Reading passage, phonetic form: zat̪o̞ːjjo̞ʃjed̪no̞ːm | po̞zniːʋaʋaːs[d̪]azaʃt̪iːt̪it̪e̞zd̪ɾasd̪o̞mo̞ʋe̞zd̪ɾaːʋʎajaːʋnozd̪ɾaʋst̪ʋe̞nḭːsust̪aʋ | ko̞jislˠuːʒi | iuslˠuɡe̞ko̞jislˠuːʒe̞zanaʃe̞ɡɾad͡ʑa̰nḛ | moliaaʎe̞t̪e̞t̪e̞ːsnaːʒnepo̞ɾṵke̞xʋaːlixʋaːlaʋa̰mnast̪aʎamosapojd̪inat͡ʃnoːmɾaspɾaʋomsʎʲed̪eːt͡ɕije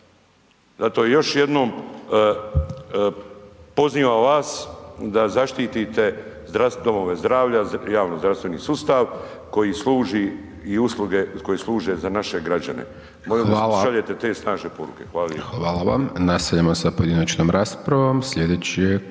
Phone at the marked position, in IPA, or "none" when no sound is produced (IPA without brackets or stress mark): d̪